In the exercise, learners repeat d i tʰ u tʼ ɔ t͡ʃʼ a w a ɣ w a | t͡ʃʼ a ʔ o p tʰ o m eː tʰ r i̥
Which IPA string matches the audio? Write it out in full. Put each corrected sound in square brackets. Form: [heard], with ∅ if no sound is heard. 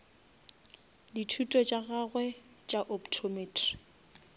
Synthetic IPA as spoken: d i tʰ u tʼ ɔ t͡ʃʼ a [ɣ] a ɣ w [ɛ] | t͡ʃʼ a ʔ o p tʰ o m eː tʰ r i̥